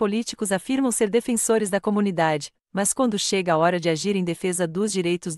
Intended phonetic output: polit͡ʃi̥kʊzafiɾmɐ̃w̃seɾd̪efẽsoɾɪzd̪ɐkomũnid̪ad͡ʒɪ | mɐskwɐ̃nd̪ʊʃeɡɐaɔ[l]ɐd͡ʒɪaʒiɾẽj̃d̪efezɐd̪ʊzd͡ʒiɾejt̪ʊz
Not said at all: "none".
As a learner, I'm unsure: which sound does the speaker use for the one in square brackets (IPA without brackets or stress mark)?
ɾ